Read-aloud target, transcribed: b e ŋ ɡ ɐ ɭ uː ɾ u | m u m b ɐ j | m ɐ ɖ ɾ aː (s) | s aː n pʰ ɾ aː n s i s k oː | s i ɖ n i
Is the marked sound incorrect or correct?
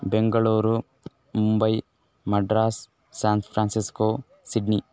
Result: correct